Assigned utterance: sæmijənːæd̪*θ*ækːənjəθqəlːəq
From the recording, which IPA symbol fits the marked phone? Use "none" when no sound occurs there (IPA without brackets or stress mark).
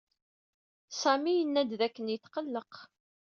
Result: ð